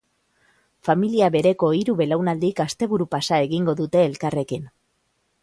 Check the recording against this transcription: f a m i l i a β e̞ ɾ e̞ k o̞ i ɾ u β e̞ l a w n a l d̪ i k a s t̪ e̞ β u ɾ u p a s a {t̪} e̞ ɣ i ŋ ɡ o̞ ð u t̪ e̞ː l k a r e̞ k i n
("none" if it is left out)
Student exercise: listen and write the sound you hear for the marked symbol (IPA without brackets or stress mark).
none